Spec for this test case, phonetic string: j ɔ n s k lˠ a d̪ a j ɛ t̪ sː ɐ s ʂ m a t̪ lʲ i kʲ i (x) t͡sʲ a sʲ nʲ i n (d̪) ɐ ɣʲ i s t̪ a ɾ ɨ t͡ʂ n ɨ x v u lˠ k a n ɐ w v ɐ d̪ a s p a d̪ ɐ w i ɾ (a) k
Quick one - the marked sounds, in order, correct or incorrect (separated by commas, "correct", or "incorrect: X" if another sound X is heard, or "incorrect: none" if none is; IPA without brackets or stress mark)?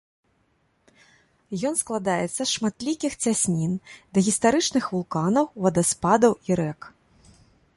correct, correct, incorrect: ɛ